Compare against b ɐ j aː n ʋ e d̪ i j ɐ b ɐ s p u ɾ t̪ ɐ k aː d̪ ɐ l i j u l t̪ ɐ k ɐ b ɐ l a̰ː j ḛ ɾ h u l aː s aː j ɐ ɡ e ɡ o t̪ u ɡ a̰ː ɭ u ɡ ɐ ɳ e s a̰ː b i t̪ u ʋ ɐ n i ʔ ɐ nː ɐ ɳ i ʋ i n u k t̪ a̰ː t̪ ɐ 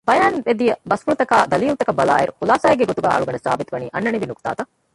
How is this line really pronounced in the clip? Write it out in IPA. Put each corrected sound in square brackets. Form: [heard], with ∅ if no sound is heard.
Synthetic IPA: b ɐ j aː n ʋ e d̪ i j ɐ b ɐ s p u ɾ t̪ ɐ k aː d̪ ɐ l i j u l t̪ ɐ k ɐ b ɐ l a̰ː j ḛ ɾ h u l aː s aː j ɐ ɡ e ɡ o t̪ u ɡ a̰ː ɭ u ɡ ɐ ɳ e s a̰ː b i t̪ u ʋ ɐ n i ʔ ɐ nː ɐ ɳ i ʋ i n u k t̪ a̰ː t̪ ɐ